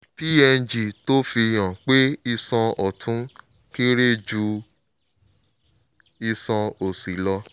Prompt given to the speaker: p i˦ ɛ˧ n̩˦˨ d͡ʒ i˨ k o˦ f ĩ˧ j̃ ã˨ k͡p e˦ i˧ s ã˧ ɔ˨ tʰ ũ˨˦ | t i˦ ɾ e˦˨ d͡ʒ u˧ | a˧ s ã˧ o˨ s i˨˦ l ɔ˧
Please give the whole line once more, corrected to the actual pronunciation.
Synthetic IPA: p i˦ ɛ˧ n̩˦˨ d͡ʒ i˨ t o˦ f i˧ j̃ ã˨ k͡p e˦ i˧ s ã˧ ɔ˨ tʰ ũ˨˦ | k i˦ ɾ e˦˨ d͡ʒ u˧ | i˧ s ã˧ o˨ s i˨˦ l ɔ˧